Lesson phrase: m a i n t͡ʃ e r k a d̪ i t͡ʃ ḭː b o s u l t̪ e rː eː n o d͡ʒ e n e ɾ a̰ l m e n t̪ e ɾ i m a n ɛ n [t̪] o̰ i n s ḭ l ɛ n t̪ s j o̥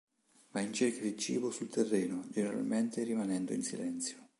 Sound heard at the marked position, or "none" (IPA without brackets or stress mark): d̪